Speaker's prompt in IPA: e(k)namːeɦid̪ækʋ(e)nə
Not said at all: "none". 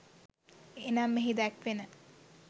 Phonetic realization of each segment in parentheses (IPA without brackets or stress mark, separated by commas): none, e